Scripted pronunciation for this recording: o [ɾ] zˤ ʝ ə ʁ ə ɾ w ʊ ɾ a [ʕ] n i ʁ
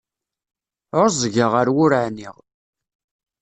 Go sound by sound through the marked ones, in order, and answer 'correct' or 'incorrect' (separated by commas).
correct, correct